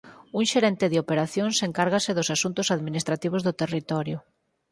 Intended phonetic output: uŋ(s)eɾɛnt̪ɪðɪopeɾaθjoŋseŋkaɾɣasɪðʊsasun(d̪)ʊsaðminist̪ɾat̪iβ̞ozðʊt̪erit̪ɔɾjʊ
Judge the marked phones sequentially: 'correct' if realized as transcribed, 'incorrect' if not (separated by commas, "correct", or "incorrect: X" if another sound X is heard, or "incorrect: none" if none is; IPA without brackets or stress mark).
incorrect: ʃ, incorrect: t̪